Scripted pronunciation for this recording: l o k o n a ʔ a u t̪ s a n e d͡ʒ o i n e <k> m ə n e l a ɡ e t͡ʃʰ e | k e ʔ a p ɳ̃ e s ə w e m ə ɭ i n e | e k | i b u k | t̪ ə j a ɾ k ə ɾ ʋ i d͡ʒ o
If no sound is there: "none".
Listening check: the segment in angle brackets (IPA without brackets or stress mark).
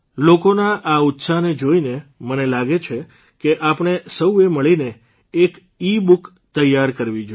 none